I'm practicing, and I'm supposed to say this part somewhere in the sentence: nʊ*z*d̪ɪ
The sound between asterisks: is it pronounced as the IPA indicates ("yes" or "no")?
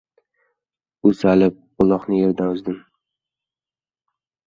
yes